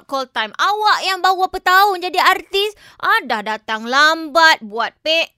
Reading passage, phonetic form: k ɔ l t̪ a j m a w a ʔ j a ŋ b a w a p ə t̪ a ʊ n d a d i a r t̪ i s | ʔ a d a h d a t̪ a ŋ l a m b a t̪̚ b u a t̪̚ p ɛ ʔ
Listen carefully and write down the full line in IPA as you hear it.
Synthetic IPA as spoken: k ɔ l t̪ a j m a w a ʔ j a ŋ b a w a p ə t̪ a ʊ n d͡ʒ a d i a r t̪ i s | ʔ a d a h d a t̪ a ŋ l a m b a t̪̚ b u a t̪̚ p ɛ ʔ